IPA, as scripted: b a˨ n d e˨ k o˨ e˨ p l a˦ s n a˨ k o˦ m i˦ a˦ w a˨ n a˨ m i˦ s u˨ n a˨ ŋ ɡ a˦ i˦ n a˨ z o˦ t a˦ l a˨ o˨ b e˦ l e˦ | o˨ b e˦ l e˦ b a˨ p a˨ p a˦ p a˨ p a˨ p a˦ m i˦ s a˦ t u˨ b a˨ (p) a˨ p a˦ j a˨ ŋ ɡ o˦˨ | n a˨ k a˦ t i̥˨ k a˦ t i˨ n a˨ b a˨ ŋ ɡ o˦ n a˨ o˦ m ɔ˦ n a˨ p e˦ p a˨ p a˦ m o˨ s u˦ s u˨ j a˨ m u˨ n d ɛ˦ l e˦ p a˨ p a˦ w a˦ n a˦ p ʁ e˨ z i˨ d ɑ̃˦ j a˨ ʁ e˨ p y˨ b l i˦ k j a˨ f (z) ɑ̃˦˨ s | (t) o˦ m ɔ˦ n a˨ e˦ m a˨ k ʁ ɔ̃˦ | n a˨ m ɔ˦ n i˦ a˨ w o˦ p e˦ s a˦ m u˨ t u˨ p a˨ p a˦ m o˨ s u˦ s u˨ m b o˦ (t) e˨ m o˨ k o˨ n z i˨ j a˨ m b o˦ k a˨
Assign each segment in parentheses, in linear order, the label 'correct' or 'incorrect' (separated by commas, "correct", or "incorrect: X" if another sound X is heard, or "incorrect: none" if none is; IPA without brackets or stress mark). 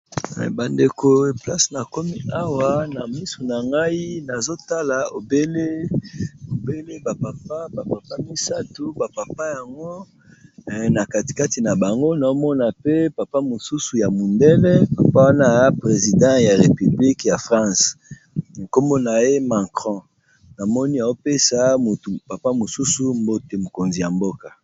correct, incorrect: ʁ, incorrect: k, correct